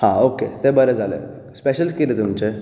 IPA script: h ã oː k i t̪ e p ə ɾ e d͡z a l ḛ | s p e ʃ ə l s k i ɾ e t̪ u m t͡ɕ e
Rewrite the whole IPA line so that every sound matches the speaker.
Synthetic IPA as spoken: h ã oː k e t̪ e b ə ɾ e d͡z a l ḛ | s p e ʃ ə l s k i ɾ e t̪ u m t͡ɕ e